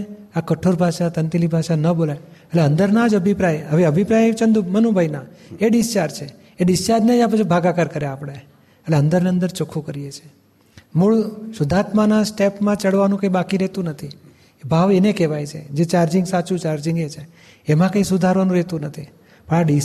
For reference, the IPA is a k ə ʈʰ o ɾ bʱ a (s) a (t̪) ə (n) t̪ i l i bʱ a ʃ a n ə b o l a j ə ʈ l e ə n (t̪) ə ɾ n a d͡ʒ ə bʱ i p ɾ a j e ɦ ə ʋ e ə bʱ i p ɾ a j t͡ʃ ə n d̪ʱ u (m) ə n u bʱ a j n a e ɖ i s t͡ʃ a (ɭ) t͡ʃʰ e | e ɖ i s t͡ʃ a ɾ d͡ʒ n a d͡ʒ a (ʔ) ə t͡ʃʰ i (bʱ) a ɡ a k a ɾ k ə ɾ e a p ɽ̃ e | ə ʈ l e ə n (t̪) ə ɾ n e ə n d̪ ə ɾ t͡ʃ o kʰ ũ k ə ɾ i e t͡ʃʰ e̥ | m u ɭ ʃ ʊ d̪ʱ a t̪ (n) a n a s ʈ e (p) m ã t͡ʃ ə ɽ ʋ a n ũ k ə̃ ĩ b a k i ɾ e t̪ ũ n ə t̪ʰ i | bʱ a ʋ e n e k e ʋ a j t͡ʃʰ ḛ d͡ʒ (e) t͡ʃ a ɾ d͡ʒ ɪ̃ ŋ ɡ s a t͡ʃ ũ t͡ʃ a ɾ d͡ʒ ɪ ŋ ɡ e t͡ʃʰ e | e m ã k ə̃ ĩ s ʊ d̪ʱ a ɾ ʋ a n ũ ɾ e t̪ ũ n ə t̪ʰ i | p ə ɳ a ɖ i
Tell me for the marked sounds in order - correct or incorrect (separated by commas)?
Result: incorrect, correct, correct, incorrect, correct, incorrect, incorrect, correct, incorrect, incorrect, correct, correct